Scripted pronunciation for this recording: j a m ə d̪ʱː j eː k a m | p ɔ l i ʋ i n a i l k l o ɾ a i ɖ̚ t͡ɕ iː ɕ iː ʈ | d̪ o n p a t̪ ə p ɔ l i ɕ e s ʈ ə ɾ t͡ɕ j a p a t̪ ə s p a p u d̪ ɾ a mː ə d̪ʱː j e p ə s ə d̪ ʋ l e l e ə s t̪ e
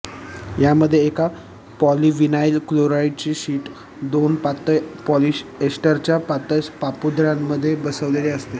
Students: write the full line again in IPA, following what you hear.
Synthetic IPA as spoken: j a m ə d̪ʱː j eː k a | p ɔ l i ʋ i n a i l k l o ɾ a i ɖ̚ t͡ɕ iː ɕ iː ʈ | d̪ o n p a t̪ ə p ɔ l i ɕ e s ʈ ə ɾ t͡ɕ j a p a t̪ ə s p a p u d̪ ɾ a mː ə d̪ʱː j e b ə s ə ʋ l e l e ə s t̪ e